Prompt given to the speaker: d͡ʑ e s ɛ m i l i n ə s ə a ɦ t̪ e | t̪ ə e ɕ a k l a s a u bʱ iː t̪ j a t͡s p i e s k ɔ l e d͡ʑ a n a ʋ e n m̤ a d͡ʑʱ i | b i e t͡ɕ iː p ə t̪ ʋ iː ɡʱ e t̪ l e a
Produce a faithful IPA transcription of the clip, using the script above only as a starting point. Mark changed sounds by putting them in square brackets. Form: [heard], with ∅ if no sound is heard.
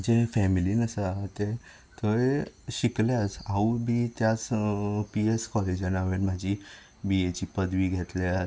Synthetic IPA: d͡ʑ e [f] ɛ m i l i n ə s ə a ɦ t̪ e | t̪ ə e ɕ [i] k l a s a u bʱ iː t̪ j a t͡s p i e s k ɔ l e d͡ʑ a n a ʋ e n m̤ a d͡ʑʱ i | b i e t͡ɕ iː p ə [d̪] ʋ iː ɡʱ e t̪ l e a